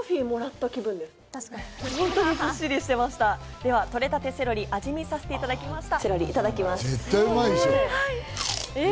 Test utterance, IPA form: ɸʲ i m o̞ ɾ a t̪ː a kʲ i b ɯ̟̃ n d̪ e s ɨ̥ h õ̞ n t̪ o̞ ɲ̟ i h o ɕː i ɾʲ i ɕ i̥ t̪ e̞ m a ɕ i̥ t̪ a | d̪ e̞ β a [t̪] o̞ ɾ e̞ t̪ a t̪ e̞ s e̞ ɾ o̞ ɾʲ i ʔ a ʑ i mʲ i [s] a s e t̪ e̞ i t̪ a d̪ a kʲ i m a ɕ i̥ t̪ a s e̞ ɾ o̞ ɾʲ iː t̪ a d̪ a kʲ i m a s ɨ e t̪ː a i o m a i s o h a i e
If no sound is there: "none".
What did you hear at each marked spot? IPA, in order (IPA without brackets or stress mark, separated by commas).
t̪, s